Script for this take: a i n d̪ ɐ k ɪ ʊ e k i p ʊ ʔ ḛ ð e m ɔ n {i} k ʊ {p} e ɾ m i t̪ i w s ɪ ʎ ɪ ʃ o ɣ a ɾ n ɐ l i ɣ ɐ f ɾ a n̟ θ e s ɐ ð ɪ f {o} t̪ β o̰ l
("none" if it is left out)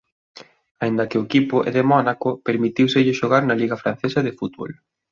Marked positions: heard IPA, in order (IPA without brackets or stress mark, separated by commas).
a, p, u